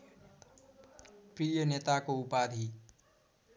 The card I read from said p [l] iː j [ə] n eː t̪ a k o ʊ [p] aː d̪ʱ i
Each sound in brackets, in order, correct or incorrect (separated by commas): incorrect, correct, correct